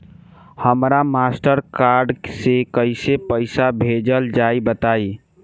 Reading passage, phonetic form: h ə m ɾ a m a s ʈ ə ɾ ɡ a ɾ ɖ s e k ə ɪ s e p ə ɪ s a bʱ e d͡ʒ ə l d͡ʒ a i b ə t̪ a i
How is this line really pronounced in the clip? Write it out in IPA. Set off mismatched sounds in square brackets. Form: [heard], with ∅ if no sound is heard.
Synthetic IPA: h ə m ɾ a m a s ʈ ə ɾ [k] a ɾ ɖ s e k ə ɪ s e p ə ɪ s a bʱ e d͡ʒ ə l d͡ʒ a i b ə t̪ a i